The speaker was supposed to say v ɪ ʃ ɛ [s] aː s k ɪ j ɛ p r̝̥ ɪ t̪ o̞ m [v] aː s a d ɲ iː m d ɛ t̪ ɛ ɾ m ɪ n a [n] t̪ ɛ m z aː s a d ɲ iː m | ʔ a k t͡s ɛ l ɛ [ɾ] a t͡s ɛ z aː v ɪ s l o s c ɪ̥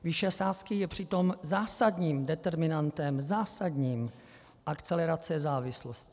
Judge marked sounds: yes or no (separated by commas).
yes, no, yes, yes